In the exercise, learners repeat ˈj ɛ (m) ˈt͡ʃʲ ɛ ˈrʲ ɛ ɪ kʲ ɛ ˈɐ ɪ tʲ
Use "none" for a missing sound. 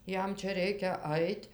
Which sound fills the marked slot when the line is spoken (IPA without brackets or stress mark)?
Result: m